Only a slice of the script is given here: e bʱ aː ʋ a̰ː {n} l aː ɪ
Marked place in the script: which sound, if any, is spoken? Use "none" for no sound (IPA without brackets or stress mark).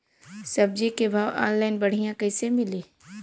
n